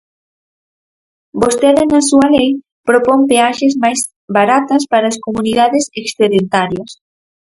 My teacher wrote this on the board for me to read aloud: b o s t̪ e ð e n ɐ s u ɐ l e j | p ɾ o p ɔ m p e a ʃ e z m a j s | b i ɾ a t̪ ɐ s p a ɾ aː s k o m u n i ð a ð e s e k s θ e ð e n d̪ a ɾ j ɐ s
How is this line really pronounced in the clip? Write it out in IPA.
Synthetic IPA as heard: b o s t̪ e ð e n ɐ s u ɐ l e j | p ɾ o p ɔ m p e a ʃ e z m a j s | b a ɾ a t̪ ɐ s p a ɾ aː s k o m u n i ð a ð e s e k s θ e ð e n t̪ a ɾ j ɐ s